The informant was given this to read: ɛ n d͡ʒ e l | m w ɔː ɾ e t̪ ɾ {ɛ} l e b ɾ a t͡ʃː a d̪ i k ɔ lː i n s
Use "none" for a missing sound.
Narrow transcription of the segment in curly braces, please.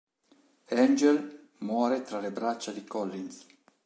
a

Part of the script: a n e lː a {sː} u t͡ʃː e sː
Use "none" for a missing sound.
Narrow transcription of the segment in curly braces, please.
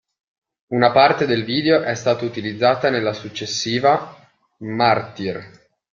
s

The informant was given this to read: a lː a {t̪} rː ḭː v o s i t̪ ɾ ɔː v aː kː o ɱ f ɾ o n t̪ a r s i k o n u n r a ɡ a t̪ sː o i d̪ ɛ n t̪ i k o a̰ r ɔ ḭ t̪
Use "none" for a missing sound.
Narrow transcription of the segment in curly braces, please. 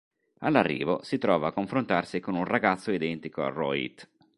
none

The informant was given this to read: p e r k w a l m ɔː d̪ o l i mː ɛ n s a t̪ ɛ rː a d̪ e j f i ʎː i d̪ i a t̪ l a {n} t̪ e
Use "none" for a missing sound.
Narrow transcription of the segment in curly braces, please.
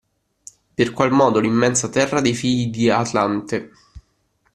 n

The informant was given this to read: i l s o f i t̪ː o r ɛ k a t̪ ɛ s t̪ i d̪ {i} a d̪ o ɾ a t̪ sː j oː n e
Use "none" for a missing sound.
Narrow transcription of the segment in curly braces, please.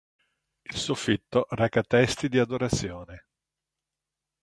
i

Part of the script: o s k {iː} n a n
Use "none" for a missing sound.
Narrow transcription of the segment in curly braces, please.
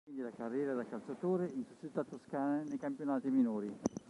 aː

